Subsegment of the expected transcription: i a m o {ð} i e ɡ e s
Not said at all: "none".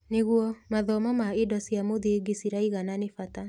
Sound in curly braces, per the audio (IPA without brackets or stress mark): ð